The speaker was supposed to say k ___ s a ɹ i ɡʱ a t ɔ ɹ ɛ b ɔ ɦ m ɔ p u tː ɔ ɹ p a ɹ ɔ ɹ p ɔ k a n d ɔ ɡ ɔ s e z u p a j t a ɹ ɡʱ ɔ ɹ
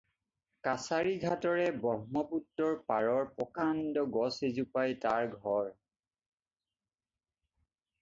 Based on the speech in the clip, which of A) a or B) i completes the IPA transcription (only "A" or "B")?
A